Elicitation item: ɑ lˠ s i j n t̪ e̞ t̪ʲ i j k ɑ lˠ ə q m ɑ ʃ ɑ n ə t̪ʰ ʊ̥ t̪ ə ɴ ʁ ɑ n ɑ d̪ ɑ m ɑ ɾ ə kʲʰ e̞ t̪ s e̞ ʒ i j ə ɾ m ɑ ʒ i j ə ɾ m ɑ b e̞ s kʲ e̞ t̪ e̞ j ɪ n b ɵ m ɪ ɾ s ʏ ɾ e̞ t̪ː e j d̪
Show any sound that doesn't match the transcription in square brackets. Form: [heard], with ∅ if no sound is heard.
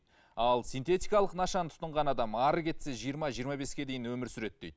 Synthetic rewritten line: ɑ lˠ s i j n t̪ e̞ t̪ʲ i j k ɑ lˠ ə q [n] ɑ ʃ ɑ n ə t̪ʰ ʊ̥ t̪ ə ɴ ʁ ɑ n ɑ d̪ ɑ m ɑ ɾ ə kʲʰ e̞ t̪ s e̞ ʒ i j ə ɾ m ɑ ʒ i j ə ɾ m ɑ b e̞ s kʲ e̞ [d̪] e̞ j ɪ n [w] ɵ m ɪ ɾ s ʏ ɾ e̞ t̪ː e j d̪